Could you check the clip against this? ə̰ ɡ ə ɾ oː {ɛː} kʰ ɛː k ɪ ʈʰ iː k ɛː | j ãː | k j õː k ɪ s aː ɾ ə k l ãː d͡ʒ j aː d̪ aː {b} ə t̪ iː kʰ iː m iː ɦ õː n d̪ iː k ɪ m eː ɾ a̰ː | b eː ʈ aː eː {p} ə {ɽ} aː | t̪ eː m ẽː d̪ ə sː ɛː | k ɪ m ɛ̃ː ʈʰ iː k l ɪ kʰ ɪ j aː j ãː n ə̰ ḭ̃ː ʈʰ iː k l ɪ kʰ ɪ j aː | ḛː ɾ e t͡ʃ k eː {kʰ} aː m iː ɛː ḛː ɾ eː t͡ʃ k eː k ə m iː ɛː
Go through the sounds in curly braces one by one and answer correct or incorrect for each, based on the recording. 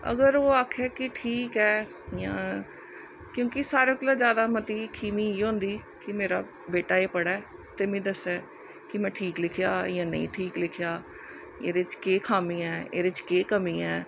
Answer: incorrect, incorrect, correct, correct, correct

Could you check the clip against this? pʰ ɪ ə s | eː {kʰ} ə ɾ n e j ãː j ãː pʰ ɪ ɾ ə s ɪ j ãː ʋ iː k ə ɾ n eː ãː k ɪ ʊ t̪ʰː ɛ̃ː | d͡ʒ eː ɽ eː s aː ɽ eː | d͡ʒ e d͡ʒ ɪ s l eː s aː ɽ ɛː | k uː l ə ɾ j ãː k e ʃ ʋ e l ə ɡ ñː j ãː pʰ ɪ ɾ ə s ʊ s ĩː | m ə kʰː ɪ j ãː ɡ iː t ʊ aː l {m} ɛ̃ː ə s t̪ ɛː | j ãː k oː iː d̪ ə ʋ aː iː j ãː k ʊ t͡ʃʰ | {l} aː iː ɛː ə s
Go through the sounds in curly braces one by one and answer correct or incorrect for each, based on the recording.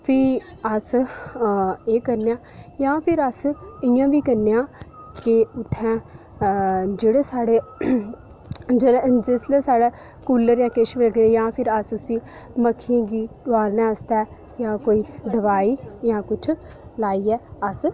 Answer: incorrect, incorrect, correct

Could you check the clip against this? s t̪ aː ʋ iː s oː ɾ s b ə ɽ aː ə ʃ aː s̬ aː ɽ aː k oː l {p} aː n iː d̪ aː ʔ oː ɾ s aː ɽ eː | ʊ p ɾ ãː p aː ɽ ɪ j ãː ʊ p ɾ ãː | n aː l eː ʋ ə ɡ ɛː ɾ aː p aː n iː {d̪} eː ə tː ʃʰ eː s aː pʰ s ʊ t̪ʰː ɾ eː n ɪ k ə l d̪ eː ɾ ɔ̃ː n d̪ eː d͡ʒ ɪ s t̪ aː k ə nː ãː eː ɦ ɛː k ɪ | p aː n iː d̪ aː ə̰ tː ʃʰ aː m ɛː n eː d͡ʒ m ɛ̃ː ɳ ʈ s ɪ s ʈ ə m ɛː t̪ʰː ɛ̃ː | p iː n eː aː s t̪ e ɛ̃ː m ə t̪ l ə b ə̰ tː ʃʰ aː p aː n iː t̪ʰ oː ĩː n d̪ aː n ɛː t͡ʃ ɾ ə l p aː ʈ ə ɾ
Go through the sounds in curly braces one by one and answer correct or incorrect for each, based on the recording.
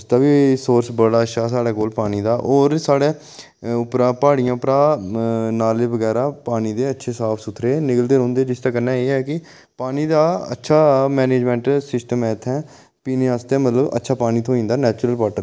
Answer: correct, correct

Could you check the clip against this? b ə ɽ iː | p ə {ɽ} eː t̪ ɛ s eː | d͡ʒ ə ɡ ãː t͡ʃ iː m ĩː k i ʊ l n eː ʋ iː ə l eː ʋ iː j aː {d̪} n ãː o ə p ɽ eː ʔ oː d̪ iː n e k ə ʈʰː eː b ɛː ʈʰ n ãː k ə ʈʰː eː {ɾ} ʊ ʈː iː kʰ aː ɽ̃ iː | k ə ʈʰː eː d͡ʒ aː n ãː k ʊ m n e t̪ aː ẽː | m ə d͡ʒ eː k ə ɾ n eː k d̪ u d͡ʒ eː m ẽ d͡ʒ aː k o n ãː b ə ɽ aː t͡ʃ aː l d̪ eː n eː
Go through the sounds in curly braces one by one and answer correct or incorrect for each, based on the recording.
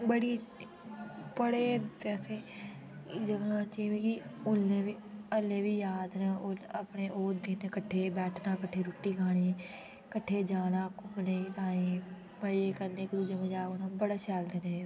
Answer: correct, correct, correct

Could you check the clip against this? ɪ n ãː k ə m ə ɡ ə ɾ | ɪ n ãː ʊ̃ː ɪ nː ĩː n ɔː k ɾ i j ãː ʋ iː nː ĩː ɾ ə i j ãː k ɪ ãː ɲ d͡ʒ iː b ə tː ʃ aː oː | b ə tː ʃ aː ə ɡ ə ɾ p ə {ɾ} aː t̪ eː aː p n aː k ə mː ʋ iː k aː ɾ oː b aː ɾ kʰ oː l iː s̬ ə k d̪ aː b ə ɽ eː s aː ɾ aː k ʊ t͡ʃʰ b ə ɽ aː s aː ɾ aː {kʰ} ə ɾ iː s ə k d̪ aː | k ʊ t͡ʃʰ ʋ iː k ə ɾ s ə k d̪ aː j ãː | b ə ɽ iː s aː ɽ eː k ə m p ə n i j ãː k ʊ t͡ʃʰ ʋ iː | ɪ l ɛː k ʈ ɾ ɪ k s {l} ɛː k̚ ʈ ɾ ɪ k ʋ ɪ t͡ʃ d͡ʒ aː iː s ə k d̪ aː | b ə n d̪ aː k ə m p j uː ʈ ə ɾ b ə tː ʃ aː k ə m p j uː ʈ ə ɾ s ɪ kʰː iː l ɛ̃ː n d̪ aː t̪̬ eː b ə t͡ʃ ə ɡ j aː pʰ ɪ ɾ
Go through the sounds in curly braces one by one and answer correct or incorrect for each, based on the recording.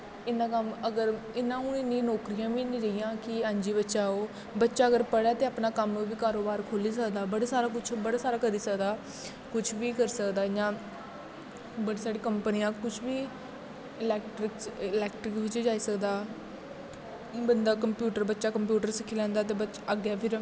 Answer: incorrect, incorrect, correct

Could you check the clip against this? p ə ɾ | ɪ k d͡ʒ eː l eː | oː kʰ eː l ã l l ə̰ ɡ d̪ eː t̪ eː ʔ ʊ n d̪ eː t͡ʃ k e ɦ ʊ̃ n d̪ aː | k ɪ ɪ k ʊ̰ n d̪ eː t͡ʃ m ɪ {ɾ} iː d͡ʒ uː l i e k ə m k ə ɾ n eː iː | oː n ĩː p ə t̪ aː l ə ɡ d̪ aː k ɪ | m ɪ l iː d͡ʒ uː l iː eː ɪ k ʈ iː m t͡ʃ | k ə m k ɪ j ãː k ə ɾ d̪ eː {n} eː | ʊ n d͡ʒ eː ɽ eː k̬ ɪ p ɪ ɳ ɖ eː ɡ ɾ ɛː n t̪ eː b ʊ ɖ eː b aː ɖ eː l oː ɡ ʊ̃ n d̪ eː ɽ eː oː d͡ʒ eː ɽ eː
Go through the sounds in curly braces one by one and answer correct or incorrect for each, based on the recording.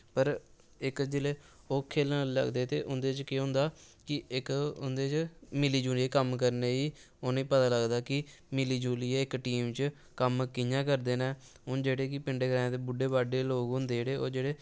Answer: incorrect, correct

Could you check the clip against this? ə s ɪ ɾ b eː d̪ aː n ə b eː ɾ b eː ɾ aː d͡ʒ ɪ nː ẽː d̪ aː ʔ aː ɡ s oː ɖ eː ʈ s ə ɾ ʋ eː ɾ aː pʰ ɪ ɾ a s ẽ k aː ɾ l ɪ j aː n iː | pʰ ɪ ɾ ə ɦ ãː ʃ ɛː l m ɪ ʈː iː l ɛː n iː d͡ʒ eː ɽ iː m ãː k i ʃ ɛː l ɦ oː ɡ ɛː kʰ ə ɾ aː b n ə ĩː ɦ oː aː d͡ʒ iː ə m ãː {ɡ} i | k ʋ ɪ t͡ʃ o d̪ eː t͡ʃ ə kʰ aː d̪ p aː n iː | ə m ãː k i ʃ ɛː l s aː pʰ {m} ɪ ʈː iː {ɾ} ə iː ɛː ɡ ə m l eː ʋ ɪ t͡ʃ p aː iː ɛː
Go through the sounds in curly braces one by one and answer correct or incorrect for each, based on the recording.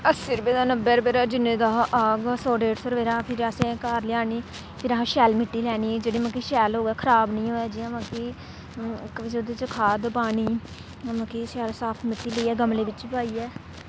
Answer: incorrect, correct, incorrect

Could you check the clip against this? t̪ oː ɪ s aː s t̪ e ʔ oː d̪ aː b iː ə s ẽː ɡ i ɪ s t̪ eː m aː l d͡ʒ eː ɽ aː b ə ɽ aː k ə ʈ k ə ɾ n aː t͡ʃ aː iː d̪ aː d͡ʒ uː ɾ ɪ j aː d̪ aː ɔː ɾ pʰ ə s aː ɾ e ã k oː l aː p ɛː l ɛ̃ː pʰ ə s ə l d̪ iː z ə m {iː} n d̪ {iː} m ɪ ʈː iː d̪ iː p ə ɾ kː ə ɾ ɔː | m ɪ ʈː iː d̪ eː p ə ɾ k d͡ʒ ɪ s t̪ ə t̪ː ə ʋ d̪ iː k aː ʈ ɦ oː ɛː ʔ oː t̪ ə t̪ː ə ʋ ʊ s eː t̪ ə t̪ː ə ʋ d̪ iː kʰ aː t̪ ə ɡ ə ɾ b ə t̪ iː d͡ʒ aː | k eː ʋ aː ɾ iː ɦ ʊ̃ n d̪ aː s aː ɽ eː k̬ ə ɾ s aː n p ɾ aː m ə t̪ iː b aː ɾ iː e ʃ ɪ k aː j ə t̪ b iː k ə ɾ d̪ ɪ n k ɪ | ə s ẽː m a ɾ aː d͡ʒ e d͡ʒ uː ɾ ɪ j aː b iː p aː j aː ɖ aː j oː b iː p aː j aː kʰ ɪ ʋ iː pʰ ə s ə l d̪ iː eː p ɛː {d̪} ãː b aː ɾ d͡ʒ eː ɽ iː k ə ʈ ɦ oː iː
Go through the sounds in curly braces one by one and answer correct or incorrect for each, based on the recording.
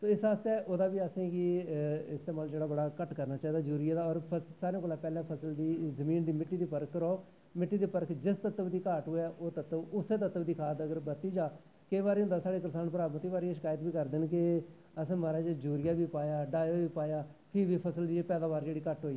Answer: correct, correct, correct

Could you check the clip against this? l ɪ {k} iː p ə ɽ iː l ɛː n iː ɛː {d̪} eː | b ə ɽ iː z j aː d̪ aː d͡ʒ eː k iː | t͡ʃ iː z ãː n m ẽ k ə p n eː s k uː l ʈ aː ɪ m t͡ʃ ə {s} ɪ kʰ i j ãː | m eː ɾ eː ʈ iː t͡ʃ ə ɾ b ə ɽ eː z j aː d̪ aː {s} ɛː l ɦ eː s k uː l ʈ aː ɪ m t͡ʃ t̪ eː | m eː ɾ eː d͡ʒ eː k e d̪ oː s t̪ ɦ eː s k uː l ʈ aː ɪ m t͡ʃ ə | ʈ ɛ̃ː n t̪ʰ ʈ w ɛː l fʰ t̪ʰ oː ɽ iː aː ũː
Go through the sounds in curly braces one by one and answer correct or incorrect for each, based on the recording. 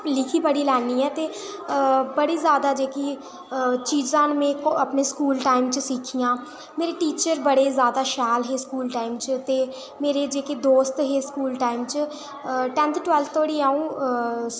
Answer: incorrect, incorrect, correct, incorrect

